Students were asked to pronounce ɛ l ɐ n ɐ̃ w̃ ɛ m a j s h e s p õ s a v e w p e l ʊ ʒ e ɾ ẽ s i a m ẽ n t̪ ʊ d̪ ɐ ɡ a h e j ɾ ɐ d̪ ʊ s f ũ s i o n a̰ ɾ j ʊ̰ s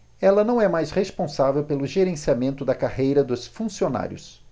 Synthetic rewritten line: ɛ l ɐ n ɐ̃ w̃ ɛ m a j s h e s p õ s a v e w p e l ʊ ʒ e ɾ ẽ s i a m ẽ n t̪ ʊ d̪ ɐ k a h e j ɾ ɐ d̪ ʊ s f ũ s i o n a̰ ɾ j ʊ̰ s